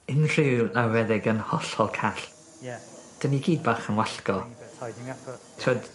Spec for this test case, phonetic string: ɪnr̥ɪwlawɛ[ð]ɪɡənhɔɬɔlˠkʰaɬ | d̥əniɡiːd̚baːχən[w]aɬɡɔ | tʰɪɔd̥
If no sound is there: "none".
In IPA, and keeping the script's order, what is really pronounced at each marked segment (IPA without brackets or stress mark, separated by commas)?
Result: ð, w